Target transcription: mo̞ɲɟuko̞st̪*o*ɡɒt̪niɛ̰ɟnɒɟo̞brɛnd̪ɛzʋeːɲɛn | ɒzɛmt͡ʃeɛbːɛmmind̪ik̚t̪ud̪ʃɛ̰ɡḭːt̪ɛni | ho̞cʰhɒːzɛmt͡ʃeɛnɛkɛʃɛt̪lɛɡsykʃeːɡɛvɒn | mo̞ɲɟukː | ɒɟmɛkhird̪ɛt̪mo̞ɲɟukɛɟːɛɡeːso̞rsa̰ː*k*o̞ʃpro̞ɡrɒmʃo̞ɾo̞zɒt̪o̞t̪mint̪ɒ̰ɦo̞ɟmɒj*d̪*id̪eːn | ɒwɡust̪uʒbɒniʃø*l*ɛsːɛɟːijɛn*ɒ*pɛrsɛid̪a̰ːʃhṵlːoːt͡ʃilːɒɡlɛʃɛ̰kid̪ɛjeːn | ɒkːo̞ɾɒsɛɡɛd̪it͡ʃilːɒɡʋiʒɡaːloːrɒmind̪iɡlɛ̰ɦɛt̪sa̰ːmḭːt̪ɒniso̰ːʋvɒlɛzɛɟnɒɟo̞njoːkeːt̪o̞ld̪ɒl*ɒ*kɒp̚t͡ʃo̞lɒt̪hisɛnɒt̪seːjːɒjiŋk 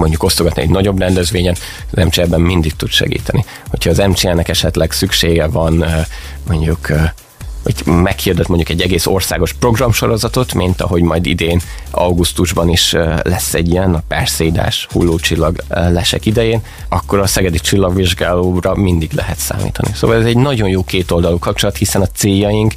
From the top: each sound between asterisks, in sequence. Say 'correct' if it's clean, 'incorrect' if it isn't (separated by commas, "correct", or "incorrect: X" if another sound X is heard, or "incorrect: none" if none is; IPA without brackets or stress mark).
correct, incorrect: ɡ, correct, correct, correct, incorrect: u